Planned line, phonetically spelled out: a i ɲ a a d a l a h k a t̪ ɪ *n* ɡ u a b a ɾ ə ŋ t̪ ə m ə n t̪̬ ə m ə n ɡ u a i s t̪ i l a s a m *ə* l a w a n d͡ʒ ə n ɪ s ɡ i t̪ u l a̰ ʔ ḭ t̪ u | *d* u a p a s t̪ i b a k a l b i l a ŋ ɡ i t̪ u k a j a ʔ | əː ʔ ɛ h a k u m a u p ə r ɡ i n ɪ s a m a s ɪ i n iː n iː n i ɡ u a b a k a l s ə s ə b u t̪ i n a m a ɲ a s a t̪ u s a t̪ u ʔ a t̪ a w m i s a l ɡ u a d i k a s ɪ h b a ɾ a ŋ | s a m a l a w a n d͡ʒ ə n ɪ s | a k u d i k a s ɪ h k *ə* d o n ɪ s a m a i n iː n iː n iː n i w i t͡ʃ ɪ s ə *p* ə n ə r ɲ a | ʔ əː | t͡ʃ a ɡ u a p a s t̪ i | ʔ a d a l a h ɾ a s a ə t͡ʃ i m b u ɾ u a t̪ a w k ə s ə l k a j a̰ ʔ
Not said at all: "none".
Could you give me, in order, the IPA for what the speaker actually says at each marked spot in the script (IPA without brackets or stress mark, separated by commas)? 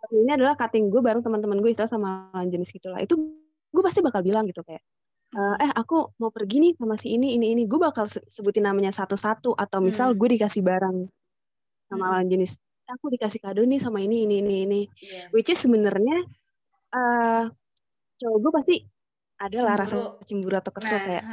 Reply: ŋ, a, ɡ, a, b